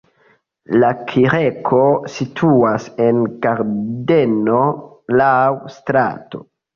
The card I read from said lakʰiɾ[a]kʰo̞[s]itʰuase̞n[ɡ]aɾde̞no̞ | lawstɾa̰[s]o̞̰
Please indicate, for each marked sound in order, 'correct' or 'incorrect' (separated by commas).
incorrect, correct, correct, incorrect